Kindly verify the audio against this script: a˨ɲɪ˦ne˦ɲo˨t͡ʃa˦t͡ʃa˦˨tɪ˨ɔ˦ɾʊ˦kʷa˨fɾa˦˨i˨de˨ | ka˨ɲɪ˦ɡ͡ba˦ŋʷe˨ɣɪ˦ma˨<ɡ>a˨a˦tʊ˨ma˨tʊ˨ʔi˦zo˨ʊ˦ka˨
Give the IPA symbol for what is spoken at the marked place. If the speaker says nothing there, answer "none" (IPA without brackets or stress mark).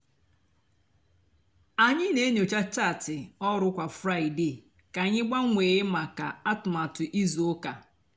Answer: k